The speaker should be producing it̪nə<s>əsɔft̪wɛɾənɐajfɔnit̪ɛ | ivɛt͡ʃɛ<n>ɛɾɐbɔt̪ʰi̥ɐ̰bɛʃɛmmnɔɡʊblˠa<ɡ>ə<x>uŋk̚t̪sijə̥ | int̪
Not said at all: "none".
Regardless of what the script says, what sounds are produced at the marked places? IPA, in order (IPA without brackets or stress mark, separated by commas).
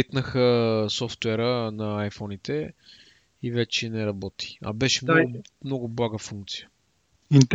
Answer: x, n, ɡ, f